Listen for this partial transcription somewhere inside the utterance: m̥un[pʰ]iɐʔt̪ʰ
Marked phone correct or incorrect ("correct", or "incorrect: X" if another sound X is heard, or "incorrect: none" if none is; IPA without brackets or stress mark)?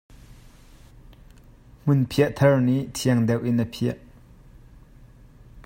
correct